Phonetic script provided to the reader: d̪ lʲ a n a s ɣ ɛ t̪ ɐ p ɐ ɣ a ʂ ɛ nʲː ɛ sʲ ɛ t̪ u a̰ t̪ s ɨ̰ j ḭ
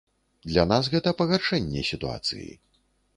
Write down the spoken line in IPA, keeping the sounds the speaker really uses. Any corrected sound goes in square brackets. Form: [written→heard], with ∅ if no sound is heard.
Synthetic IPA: d̪ lʲ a n a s ɣ ɛ t̪ ɐ p ɐ ɣ a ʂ ɛ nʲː ɛ sʲ [ɛ→i] t̪ u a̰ t̪ s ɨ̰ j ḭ